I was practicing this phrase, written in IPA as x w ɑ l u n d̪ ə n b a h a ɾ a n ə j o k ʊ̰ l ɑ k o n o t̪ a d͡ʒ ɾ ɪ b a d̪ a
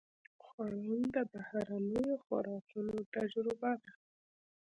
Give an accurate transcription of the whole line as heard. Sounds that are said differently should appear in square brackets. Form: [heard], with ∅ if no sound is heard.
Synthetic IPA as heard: x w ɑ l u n d̪ ə [∅] b a h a ɾ a n ə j o [x] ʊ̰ [ɾ] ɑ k [u] n o t̪ a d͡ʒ ɾ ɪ b a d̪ a